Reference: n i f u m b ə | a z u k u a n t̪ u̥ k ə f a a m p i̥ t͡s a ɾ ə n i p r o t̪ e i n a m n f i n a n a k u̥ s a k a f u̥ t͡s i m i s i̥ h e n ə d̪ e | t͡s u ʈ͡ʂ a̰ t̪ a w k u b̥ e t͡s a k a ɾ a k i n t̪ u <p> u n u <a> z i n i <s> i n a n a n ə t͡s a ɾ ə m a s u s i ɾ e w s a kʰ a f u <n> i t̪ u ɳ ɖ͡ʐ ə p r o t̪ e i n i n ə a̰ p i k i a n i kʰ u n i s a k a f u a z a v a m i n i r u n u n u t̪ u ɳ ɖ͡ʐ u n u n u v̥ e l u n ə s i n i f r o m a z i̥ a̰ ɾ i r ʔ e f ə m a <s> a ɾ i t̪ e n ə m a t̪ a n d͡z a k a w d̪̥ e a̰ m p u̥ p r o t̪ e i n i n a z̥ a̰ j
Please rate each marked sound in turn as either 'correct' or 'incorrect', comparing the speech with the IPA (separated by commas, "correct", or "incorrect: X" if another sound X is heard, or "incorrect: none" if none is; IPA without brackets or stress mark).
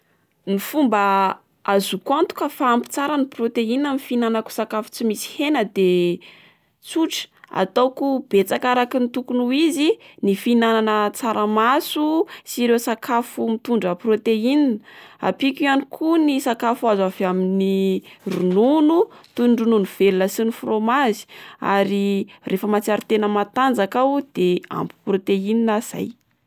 incorrect: k, incorrect: i, incorrect: f, incorrect: m, incorrect: t͡s